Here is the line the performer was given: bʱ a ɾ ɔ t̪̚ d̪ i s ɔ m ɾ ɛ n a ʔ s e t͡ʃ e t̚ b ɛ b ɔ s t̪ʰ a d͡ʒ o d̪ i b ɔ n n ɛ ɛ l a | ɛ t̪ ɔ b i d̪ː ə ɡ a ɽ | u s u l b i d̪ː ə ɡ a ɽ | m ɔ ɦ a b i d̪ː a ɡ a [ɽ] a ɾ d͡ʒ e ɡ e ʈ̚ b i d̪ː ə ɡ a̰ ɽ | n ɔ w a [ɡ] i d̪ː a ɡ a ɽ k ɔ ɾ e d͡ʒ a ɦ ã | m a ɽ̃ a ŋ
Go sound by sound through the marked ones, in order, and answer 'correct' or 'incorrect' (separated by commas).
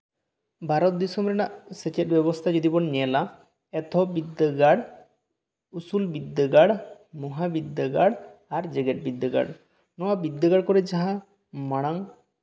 correct, incorrect